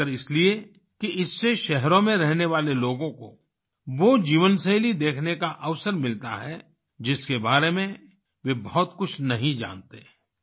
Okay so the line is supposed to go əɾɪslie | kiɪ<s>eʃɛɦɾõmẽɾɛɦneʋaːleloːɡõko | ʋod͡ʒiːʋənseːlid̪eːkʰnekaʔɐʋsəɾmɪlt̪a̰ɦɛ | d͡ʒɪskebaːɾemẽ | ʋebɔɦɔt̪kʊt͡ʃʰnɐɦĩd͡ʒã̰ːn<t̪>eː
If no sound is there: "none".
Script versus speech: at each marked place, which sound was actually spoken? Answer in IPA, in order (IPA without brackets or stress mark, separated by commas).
sː, t̪